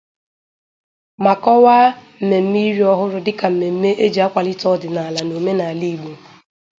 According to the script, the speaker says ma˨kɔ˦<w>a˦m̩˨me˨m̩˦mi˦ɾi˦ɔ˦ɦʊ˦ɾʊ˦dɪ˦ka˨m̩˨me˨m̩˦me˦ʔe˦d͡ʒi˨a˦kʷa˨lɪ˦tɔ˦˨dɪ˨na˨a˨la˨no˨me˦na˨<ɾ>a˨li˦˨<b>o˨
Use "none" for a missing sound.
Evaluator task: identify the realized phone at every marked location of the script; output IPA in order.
w, none, ɡ͡b

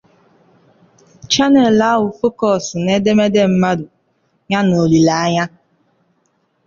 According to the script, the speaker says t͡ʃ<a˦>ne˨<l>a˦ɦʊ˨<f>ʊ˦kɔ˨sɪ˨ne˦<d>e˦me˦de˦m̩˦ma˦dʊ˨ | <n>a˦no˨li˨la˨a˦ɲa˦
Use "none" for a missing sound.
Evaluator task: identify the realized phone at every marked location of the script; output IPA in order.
a˦, l, f, d, ɲ

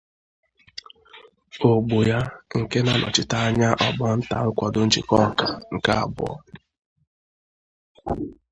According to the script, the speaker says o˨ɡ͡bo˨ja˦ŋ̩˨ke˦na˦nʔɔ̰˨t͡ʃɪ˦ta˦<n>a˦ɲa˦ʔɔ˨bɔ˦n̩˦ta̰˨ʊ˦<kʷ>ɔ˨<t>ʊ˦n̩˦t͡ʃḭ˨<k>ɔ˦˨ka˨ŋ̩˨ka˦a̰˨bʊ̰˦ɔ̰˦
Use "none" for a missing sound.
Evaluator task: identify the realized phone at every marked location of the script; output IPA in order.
none, kʷ, d, k

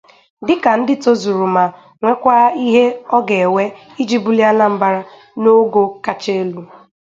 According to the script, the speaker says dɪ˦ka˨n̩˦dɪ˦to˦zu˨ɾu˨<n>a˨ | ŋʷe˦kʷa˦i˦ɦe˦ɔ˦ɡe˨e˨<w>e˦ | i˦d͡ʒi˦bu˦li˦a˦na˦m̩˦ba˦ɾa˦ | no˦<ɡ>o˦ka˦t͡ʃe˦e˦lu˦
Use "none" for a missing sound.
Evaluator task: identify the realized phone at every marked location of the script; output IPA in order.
m, w, ɡ

